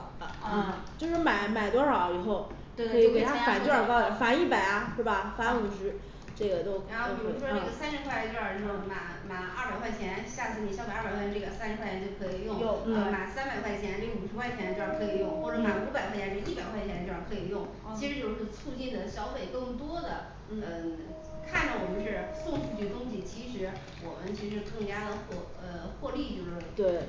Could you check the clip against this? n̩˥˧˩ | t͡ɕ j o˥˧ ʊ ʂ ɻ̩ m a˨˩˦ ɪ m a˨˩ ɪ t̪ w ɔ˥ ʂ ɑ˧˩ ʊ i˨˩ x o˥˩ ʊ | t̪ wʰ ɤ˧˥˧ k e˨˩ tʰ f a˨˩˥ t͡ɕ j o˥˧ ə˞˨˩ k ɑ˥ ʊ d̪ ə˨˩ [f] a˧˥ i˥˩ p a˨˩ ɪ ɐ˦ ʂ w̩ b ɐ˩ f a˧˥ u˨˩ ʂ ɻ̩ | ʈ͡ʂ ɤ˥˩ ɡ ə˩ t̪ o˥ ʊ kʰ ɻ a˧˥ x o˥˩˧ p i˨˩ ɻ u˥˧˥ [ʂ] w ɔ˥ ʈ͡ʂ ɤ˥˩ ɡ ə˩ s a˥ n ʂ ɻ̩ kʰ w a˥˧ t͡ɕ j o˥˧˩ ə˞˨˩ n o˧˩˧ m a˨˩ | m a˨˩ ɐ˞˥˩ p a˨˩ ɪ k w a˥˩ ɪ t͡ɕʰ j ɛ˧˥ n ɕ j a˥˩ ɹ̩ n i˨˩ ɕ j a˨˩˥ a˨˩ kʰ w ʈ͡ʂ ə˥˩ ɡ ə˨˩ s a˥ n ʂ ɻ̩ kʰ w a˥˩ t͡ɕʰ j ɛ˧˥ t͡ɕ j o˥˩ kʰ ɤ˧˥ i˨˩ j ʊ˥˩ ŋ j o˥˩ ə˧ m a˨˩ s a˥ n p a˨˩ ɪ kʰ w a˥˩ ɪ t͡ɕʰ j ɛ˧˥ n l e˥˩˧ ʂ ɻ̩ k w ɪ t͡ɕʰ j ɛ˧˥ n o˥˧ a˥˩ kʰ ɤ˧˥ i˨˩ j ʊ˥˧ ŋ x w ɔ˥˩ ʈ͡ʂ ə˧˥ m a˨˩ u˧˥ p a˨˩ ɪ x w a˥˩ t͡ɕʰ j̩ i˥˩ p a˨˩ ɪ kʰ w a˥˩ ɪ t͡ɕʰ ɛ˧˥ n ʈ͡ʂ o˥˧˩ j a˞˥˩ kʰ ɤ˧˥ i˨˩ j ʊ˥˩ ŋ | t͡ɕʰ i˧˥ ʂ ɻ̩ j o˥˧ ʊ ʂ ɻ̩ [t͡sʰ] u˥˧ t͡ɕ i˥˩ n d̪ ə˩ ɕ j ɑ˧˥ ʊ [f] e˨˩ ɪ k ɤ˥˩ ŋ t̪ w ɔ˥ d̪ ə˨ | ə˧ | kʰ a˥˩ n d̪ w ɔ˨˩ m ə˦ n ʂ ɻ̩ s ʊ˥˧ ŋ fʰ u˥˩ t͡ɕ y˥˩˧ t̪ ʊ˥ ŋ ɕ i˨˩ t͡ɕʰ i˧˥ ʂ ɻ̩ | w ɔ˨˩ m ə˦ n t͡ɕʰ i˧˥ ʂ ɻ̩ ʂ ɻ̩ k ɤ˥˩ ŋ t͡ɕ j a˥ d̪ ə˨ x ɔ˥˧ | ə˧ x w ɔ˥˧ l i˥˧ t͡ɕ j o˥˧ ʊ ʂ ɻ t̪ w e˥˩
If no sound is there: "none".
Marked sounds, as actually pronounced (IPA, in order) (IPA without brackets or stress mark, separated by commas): f, ʂ, t͡sʰ, f